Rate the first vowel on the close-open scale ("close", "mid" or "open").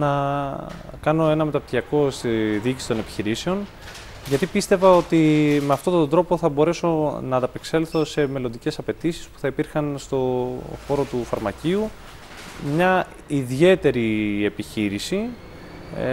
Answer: open